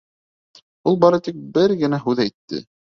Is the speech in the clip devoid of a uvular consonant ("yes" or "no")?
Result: yes